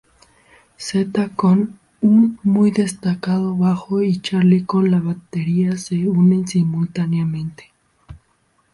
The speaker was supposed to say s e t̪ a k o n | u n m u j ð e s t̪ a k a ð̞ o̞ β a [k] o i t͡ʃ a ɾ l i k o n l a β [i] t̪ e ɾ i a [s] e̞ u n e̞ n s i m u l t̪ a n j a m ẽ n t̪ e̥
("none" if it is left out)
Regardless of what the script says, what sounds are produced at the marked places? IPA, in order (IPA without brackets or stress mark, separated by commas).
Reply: x, a, s